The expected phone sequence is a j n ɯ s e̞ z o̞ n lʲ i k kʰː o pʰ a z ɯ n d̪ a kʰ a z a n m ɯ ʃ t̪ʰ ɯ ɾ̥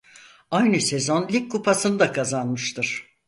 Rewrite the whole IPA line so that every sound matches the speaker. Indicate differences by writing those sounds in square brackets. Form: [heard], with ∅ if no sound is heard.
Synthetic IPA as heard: a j n ɯ s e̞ z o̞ n lʲ i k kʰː [u] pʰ a [s] ɯ n d̪ a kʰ a z a n m ɯ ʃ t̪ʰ ɯ ɾ̥